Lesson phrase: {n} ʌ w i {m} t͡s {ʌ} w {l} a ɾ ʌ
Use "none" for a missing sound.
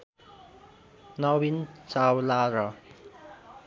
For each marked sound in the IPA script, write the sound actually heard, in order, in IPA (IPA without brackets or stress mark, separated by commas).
n, n, a, l